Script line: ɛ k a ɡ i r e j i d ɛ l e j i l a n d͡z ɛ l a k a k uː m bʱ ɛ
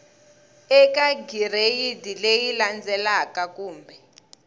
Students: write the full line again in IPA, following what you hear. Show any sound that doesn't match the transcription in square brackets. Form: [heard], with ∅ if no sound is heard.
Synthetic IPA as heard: ɛ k a ɡ i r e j i d [i] l e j i l a n d͡z ɛ l a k a k uː m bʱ ɛ